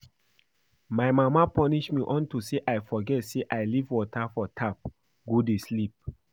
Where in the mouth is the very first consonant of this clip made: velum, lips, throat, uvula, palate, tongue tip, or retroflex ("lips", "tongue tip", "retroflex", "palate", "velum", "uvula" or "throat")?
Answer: lips